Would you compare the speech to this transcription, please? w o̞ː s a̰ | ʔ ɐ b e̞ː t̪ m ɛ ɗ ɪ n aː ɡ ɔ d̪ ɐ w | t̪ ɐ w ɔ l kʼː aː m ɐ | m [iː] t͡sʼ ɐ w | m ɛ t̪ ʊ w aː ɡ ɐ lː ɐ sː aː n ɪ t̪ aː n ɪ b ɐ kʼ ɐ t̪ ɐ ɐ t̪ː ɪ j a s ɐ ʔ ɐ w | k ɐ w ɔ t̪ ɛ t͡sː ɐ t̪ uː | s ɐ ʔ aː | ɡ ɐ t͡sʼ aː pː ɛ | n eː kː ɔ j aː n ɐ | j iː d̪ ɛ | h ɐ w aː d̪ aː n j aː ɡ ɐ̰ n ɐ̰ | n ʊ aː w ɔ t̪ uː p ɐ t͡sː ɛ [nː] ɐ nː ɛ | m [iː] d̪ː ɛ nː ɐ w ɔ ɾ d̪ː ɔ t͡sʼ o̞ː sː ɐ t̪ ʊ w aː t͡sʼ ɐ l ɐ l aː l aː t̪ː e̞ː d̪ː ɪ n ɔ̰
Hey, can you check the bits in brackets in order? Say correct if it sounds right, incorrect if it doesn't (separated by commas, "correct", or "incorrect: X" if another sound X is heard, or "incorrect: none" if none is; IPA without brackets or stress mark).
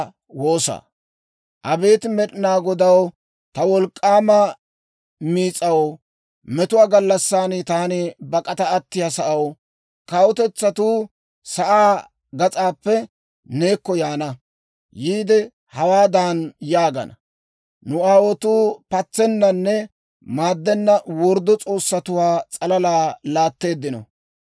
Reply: correct, correct, incorrect: aː